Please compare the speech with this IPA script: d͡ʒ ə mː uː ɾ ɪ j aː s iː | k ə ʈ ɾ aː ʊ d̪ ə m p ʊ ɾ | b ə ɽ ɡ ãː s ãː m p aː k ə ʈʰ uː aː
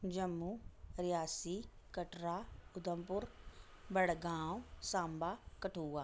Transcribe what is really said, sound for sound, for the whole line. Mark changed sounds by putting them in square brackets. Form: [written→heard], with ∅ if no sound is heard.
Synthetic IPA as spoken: d͡ʒ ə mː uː ɾ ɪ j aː s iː | k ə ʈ ɾ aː ʊ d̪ ə m p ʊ ɾ | b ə ɽ ɡ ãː s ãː m [p→b] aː k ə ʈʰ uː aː